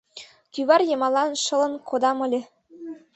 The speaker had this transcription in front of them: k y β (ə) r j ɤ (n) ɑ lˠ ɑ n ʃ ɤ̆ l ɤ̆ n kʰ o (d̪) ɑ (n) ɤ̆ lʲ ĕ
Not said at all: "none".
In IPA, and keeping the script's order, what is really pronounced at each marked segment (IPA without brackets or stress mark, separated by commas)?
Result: ɑ, m, d̪, m